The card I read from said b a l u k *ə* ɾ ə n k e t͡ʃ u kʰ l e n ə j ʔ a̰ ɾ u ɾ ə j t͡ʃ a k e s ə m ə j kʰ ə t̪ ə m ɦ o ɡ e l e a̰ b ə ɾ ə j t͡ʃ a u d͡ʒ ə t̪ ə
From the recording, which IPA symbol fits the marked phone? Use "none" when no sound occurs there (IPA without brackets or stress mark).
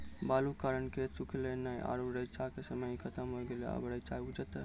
a